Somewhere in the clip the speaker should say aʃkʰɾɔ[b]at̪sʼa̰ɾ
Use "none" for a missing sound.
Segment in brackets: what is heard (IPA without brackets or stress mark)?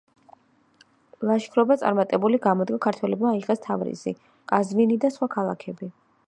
b